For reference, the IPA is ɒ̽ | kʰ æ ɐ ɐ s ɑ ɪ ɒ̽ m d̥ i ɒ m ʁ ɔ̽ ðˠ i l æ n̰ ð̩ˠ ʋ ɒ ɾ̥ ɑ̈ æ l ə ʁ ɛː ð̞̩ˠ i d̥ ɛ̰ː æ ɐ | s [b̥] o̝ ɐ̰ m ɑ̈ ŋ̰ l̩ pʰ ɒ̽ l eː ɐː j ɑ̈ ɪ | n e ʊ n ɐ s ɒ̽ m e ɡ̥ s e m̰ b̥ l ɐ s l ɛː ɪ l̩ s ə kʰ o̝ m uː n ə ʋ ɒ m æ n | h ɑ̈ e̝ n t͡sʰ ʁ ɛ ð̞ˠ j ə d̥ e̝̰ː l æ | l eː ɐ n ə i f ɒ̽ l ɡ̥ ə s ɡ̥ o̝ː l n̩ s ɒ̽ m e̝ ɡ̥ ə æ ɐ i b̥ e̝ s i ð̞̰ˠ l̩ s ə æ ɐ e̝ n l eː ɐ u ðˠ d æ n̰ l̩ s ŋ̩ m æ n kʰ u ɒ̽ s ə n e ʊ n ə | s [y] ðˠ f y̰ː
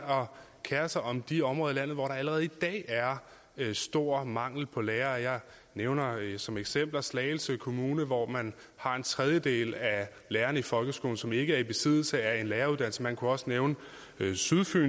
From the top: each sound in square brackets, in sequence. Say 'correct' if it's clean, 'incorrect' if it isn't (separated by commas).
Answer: incorrect, correct